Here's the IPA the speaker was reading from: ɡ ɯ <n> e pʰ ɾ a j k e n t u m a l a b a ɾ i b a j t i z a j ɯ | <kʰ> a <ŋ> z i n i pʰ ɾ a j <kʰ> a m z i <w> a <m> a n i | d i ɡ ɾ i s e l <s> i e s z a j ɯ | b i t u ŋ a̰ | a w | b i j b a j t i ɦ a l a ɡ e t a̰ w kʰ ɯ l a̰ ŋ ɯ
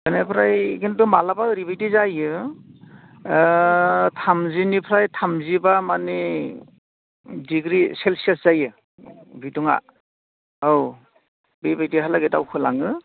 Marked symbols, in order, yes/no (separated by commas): yes, no, no, no, no, yes, yes